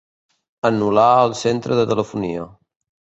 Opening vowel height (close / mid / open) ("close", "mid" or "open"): mid